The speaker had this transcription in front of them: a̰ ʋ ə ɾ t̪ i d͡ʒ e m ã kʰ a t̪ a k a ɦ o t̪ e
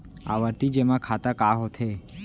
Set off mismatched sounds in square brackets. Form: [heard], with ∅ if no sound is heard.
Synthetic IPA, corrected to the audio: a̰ ʋ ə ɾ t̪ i d͡ʒ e m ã kʰ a t̪ a k a ɦ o [t̪ʰ] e